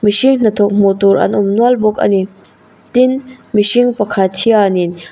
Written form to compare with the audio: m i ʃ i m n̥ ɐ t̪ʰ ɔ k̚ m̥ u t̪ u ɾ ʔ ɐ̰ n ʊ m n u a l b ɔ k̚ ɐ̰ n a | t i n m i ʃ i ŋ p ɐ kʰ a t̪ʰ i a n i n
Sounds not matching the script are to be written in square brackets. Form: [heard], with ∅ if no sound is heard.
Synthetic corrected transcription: m i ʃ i [ŋ] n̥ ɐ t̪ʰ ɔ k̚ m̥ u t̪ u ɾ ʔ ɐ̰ n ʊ m n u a l b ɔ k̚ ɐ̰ n [i] | t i n m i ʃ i ŋ p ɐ kʰ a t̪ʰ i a n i n